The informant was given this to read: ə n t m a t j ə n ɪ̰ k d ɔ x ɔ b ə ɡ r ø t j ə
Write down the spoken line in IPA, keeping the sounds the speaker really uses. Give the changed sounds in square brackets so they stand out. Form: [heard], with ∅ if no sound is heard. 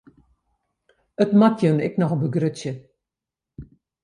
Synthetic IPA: ə [∅] t m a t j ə n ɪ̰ k [n] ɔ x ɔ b ə ɡ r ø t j ə